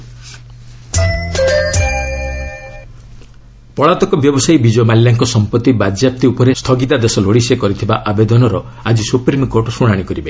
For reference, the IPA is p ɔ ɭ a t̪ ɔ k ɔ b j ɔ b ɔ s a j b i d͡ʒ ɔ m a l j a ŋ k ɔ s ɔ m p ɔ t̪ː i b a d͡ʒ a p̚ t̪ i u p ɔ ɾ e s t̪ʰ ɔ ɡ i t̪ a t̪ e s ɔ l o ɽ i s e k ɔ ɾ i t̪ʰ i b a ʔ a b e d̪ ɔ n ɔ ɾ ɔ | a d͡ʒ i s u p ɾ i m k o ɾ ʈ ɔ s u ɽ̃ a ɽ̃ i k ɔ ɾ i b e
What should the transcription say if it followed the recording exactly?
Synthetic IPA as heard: p ɔ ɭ a t̪ ɔ k ɔ b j ɔ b ɔ s a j b i d͡ʒ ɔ m a l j a ŋ k ɔ s ɔ m p ɔ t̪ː i b a d͡ʒ a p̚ t̪ i u p ɔ ɾ e s t̪ʰ ɔ ɡ i t̪ a d̪ e s ɔ l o ɽ i s e k ɔ ɾ i t̪ʰ i b a ʔ a b e d̪ ɔ n ɔ ɾ ɔ | a d͡ʒ i s u p ɾ i m k o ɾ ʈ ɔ s u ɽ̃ a ɽ̃ i k ɔ ɾ i b e

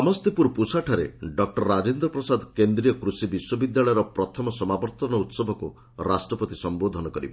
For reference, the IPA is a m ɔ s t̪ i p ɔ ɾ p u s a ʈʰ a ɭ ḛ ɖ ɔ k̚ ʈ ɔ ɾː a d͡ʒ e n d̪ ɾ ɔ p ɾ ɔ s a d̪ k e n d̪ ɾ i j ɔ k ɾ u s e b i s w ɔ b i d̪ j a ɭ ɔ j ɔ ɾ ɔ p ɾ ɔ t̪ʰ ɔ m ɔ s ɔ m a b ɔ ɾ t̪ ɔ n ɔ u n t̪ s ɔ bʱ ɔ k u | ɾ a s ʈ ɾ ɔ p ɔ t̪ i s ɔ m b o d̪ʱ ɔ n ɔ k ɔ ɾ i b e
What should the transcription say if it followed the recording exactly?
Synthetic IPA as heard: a m ɔ s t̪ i p u ɾ p u s a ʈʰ a ɾ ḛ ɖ ɔ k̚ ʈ ɔ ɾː a d͡ʒ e n d̪ ɾ ɔ p ɾ ɔ s a d̪ k e n d̪ ɾ i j ɔ k ɾ u s i b i s w ɔ b i d̪ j a ɭ ɔ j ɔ ɾ ɔ p ɾ ɔ t̪ʰ ɔ m ɔ s ɔ m a b ɔ ɾ t̪ ɔ n ɔ u t̪ s ɔ bʱ ɔ k u | ɾ a s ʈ ɾ ɔ p ɔ t̪ i s ɔ m b o d̪ʱ ɔ n ɔ k ɔ ɾ i b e

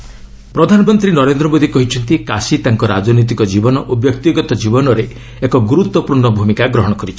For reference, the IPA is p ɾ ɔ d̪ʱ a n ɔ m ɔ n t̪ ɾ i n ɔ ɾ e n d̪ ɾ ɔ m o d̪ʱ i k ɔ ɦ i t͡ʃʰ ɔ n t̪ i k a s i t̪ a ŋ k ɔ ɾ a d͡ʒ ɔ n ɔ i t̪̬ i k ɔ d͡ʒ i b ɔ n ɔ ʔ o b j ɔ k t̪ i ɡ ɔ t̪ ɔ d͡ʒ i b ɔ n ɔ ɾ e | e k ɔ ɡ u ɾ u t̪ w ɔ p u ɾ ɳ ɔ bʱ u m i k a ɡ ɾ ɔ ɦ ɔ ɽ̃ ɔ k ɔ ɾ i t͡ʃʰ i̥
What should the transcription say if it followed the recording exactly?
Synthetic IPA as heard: p ɾ ɔ d̪ʱ a n ɔ m ɔ n t̪ ɾ i n ɔ ɾ e n d̪ ɾ ɔ m o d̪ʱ i k ɔ ɦ i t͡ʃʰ ɔ n t̪ i k a s i t̪ a ŋ k ɔ ɾ a d͡ʒ ɔ n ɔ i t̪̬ i k ɔ d͡ʒ i b ɔ n ɔ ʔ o b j ɔ k t̪ i ɡ ɔ t̪ ɔ d͡ʒ i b ɔ n ɔ ɾ e | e k ɔ ɡ u ɾ u t̪ w ɔ p u ɾ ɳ ɔ bʱ u m i k a ɡ ɾ ɔ ɦ ɔ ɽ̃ ɔ k ɔ ɾ i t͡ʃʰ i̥

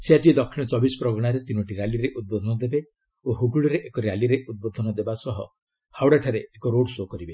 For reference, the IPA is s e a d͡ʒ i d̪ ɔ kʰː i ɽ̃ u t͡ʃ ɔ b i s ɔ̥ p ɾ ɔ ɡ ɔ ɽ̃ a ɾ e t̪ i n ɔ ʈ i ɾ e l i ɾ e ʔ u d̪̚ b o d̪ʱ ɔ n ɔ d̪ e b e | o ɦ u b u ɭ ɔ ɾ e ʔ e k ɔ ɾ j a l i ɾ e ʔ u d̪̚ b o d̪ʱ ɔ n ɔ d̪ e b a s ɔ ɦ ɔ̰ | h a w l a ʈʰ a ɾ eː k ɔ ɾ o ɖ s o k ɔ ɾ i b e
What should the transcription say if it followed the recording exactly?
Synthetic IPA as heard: s e a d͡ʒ i d̪ ɔ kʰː i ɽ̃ ɔ t͡ʃ ɔ b i s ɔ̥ p ɾ ɔ ɡ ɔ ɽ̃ a ɾ e t̪ i n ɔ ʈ i ɾ a l i ɾ e ʔ u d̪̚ b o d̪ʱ ɔ n ɔ d̪ e b e | o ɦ u ɡ u ɭ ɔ ɾ e ʔ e k ɔ ɾ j a l i ɾ e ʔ u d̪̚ b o d̪ʱ ɔ n ɔ d̪ e b a s ɔ ɦ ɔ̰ | h a w ɽ a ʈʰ a ɾ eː k ɔ ɾ o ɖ s o k ɔ ɾ i b e

